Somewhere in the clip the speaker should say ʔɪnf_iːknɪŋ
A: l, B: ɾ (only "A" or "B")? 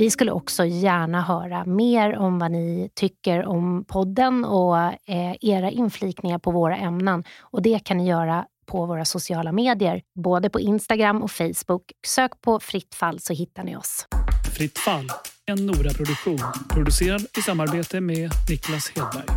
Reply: A